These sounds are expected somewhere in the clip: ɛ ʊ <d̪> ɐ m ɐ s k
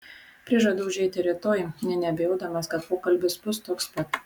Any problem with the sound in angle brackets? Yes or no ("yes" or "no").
no